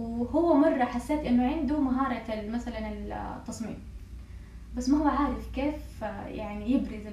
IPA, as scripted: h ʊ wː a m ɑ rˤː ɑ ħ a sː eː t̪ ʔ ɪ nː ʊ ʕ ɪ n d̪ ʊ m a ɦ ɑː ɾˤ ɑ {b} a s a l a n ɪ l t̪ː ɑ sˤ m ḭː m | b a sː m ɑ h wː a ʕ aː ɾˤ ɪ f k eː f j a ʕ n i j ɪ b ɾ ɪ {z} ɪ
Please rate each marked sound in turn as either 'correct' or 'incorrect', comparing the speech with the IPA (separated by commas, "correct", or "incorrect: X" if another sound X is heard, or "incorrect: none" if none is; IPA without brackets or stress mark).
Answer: incorrect: m, correct